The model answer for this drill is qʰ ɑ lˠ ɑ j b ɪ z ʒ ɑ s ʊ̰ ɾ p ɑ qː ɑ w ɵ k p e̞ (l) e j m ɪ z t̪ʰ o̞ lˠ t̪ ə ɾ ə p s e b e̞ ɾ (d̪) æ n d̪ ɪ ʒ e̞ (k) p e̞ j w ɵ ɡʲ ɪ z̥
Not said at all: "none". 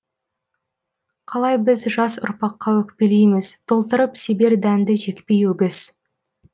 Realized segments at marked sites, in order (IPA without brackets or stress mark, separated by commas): l, d̪, k